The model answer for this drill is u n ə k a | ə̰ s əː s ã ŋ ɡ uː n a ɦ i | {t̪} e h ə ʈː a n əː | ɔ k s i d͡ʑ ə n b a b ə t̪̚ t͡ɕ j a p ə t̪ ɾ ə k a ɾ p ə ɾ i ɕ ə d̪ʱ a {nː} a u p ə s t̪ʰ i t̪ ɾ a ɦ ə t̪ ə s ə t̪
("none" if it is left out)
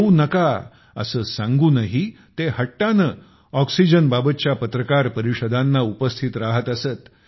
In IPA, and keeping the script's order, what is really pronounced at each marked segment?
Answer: t̪, nː

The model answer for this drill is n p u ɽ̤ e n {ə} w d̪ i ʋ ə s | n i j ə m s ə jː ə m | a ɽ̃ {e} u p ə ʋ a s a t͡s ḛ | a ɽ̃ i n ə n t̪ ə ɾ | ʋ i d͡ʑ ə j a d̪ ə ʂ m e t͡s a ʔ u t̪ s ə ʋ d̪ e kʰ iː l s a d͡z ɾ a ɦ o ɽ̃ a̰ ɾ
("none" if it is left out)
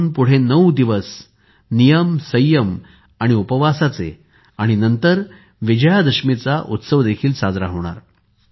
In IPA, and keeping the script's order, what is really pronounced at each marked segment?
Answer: ə, i

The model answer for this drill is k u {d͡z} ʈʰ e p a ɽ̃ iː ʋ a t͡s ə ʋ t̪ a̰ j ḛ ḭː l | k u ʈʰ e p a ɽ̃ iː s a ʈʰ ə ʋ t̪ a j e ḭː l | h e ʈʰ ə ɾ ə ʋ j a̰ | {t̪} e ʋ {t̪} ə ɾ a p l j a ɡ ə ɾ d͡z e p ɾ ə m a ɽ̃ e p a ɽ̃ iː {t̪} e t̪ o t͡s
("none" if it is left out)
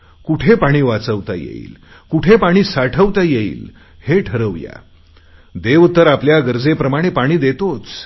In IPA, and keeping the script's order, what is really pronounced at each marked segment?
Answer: none, d̪, t̪, d̪

